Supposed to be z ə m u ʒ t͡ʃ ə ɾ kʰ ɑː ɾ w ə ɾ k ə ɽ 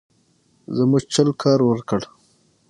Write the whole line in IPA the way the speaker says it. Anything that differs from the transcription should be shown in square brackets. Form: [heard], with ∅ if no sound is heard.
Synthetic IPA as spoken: z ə m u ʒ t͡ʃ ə [l] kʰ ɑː ɾ w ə ɾ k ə ɽ